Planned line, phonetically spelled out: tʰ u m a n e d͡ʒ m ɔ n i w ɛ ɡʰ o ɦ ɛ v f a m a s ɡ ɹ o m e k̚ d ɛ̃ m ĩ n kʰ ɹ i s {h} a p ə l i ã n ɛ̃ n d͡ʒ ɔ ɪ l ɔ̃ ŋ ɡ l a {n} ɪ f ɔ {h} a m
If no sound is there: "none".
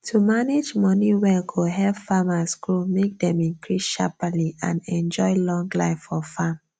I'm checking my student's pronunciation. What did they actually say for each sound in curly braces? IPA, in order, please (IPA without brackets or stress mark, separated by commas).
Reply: ʃ, none, f